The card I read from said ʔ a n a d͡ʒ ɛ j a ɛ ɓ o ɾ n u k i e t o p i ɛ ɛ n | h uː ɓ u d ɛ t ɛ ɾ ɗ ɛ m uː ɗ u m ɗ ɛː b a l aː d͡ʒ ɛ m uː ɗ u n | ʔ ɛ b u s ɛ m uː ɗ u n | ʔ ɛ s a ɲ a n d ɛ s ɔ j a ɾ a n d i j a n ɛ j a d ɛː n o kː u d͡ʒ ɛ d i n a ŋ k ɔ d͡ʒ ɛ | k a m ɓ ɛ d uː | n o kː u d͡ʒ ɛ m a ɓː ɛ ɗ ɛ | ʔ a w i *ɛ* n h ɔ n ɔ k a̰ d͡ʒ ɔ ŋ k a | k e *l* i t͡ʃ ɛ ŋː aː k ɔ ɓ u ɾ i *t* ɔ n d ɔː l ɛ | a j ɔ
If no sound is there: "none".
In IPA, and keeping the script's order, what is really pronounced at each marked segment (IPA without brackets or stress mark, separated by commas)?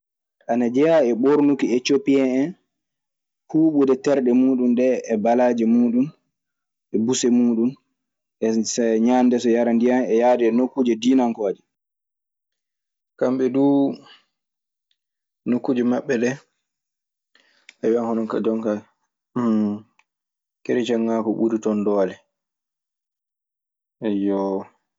a, ɾ, t